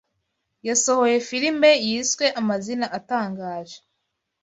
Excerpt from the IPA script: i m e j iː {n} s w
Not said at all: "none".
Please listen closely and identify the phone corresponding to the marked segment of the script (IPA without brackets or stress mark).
none